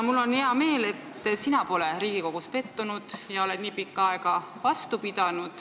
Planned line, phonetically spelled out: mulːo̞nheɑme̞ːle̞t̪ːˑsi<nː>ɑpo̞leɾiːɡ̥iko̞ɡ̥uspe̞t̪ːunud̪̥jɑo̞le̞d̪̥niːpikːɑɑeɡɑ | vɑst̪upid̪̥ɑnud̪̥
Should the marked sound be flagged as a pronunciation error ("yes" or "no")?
yes